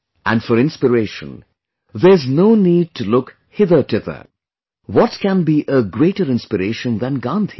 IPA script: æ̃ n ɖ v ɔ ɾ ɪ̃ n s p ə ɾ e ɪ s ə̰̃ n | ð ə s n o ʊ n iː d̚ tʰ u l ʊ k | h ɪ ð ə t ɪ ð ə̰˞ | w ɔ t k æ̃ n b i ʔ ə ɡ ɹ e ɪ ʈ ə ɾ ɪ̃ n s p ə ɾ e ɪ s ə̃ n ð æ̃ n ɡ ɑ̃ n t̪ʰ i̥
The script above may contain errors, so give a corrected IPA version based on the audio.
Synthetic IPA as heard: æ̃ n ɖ f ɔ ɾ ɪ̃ n s p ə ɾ e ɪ ʃ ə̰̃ n | ð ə z n o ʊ n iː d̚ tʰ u l ʊ k | h ɪ ð ə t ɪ ð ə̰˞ | w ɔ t k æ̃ n b i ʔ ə ɡ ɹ e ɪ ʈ ə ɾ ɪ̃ n s p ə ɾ e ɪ ʃ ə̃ n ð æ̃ n ɡ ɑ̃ n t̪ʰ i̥